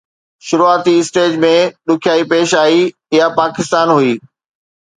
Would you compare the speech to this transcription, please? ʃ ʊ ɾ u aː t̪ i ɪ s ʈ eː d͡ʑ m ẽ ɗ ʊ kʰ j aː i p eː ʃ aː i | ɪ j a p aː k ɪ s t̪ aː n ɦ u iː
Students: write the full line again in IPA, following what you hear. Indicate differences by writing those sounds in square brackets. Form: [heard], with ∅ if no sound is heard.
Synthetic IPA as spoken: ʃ ʊ ɾ u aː t̪ i ɪ s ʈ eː d͡ʑ m ẽ ɗ ʊ kʰ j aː i p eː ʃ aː i | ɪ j a p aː k ɪ s t̪ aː n ɦ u iː